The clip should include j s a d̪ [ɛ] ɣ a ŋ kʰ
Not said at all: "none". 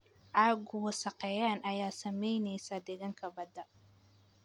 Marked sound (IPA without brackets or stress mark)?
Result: ɛ